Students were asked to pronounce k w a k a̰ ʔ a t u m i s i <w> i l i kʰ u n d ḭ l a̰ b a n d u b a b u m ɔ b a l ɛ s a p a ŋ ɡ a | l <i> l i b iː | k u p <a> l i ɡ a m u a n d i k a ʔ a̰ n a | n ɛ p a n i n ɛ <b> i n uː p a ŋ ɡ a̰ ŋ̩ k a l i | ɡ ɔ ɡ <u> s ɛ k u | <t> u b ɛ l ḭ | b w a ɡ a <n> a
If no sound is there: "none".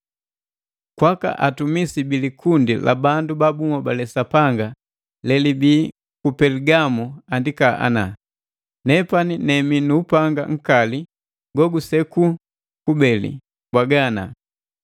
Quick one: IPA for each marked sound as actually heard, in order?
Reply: b, ɛ, ɛ, m, u, k, n

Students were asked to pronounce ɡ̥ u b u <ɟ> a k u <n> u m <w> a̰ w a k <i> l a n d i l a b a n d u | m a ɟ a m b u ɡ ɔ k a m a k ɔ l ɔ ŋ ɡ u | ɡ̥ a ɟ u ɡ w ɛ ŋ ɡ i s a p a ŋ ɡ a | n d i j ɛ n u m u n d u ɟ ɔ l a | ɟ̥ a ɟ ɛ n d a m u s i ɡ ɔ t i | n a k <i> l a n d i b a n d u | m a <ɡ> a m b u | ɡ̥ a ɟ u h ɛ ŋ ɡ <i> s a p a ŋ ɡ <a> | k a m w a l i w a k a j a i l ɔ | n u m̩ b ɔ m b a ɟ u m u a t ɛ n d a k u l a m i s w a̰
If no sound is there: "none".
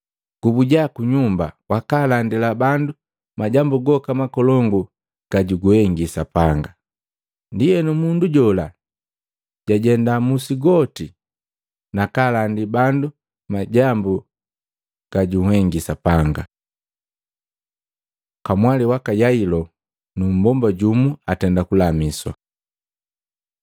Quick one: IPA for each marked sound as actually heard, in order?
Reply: ɟ, ɲ, b, a, a, ɟ, i, a

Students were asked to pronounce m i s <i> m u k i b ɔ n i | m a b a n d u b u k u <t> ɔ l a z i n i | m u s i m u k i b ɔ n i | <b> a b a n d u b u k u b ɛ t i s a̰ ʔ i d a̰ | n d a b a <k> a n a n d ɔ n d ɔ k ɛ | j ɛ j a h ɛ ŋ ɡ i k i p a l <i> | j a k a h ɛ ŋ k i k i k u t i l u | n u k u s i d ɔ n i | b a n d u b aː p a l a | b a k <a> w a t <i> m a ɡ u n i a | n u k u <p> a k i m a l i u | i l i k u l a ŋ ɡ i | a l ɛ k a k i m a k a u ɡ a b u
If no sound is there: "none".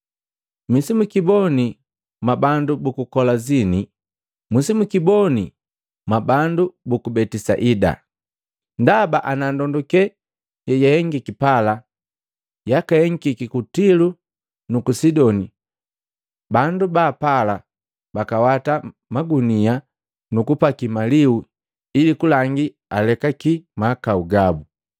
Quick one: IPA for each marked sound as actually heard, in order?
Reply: i, k, m, ʔ, a, a, a, p

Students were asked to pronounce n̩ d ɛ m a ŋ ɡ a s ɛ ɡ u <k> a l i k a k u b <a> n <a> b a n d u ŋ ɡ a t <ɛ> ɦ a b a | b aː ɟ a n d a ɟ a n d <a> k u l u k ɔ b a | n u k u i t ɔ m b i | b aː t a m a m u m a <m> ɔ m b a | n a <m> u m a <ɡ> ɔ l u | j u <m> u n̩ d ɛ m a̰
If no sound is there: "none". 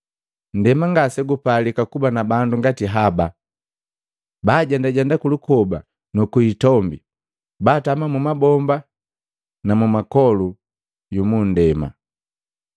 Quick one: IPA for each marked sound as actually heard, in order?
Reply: p, a, a, i, a, b, m, k, m

